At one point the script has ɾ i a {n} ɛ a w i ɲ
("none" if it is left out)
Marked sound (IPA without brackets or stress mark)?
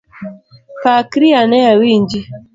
n